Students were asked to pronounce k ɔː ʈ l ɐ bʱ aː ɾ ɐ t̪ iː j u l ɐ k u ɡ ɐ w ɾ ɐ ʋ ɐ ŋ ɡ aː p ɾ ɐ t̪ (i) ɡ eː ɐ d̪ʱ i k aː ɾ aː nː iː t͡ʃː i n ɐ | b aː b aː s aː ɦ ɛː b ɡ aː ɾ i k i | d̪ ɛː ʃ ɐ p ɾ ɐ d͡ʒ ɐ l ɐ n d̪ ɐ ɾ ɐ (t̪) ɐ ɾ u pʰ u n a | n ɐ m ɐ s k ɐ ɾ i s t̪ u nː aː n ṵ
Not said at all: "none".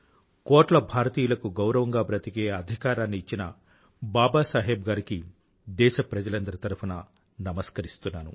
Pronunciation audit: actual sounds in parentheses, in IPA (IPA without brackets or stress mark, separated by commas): i, t̪